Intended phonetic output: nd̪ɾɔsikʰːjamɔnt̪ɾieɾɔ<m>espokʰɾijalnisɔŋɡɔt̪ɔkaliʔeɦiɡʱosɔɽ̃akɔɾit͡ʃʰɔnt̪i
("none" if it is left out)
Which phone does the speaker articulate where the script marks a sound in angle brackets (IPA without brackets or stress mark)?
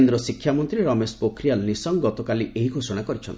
m